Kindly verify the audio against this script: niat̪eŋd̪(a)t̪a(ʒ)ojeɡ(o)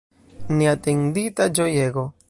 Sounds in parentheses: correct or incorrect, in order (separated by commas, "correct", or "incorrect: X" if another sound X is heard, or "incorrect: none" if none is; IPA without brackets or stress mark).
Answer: incorrect: i, incorrect: d͡ʒ, correct